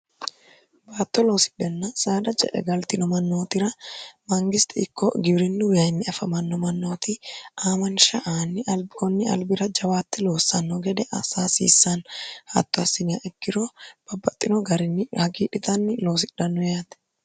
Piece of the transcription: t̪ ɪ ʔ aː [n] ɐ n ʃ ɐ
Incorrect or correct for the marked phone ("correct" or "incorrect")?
incorrect